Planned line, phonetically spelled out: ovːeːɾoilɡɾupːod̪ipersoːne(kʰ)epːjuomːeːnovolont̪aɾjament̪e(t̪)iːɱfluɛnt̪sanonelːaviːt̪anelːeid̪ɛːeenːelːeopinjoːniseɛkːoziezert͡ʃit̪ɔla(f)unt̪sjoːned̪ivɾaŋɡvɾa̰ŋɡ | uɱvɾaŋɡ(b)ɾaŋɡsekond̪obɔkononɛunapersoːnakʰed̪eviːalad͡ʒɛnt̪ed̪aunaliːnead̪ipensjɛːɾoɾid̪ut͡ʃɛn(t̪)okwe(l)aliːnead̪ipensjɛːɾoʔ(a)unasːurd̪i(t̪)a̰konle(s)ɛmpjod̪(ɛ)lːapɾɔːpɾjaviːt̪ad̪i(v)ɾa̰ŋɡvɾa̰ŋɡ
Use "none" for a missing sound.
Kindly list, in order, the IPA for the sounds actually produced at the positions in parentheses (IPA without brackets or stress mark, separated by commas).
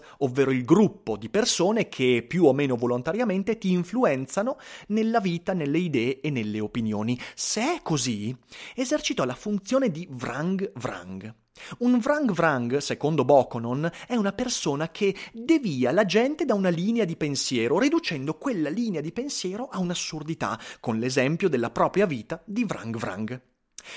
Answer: kʰ, t̪, f, v, d̪, lː, a, t̪, z, e, v